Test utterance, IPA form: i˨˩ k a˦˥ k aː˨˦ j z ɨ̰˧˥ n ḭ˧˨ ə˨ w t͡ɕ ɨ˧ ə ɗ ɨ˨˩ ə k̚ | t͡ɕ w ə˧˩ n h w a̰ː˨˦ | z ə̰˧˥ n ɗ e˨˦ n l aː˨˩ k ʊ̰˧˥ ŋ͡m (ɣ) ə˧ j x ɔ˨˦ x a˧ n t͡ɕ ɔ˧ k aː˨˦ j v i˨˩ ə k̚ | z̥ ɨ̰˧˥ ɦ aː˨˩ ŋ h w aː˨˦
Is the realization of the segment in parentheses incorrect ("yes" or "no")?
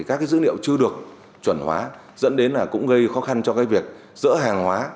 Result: no